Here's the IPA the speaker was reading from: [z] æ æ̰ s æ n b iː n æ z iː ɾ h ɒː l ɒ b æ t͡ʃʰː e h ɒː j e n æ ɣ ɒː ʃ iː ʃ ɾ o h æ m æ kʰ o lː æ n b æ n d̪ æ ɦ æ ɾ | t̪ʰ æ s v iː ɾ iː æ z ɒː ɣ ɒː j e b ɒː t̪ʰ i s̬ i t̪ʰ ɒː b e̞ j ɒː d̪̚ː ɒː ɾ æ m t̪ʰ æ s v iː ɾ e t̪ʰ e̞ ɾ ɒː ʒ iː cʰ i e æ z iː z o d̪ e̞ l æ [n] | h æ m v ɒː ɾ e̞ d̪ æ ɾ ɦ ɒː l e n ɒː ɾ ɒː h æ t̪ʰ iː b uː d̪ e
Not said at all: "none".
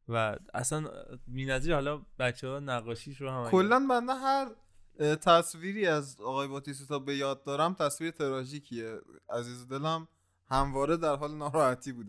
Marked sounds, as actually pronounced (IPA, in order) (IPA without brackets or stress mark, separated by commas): v, m